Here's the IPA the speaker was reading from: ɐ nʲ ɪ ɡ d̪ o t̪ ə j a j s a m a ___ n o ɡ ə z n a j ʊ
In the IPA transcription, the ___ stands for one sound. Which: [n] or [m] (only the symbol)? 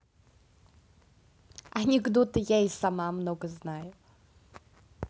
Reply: m